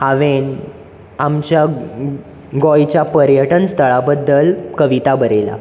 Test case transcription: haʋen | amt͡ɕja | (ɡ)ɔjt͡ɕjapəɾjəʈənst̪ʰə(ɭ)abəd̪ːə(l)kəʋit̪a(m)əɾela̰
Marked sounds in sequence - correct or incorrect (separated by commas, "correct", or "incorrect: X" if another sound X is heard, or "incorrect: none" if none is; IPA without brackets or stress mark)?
correct, correct, correct, incorrect: b